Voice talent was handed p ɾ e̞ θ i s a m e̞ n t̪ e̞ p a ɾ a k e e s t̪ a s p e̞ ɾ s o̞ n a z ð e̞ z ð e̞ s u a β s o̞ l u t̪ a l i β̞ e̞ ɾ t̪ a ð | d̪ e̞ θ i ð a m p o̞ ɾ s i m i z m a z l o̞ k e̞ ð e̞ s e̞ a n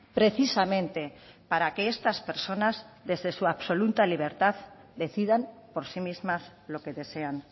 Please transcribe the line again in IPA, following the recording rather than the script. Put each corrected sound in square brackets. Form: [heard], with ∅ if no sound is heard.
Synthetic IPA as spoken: p ɾ e̞ θ i s a m [ẽ̞] n t̪ e̞ p a ɾ a k e e s t̪ a s p e̞ ɾ s o̞ n a z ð e̞ z ð e̞ s u a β s o̞ l u t̪ a l i β̞ e̞ ɾ t̪ a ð | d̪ e̞ θ i ð a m p o̞ ɾ s i m i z m a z l o̞ k e̞ ð e̞ s e̞ a n

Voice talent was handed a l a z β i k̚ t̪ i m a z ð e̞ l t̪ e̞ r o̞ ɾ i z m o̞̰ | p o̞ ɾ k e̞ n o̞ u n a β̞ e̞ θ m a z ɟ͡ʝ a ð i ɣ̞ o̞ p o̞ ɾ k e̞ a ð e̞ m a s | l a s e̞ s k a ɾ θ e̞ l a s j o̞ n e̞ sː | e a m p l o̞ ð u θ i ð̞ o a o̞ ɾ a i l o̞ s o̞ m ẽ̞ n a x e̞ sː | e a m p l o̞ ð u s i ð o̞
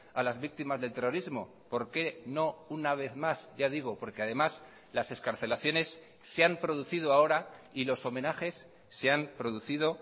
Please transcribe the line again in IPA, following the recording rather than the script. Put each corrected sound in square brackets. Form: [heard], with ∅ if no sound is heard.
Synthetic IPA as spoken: a l a z β i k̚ t̪ i m a z ð e̞ l t̪ e̞ r o̞ ɾ i z m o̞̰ | p o̞ ɾ k e̞ n o̞ u n a β̞ e̞ θ m a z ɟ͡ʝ a ð i ɣ̞ o̞ p o̞ ɾ k e̞ a ð e̞ m a s | l a s e̞ s k a ɾ θ e̞ l a [θ] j o̞ n e̞ sː | e a m p [ɾ] o̞ ð u θ i ð̞ o a o̞ ɾ a i l o̞ s o̞ m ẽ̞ n a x e̞ sː | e a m p [ɾ] o̞ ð u [θ] i ð o̞

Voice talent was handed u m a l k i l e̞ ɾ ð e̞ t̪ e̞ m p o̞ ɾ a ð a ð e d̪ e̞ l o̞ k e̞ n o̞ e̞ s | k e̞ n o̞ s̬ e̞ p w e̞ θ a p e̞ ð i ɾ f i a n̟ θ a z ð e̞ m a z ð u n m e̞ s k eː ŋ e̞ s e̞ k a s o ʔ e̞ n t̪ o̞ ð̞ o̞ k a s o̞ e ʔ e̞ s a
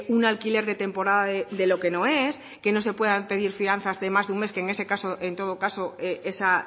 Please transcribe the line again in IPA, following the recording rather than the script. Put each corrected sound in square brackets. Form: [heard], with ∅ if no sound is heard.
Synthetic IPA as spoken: u [n] a l k i l e̞ ɾ ð e̞ t̪ e̞ m p o̞ ɾ a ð a ð e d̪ e̞ l o̞ k e̞ n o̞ e̞ s | k e̞ n o̞ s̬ e̞ p w e̞ [ð] a p e̞ ð i ɾ f i a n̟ θ a z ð e̞ m a z ð u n m e̞ s k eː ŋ e̞ s e̞ k a s o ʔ e̞ n t̪ o̞ ð̞ o̞ k a s o̞ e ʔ e̞ s a

